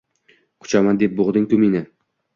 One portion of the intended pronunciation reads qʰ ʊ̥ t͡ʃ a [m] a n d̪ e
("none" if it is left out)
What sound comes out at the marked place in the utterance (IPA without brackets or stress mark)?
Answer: m